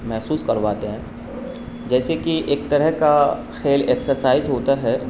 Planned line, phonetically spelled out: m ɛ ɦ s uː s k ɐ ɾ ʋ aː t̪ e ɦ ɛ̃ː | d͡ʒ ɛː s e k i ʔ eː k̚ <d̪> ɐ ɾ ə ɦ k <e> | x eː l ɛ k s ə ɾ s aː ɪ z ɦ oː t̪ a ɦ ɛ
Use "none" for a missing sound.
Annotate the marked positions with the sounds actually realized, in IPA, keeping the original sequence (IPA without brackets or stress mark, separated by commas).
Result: t̪, a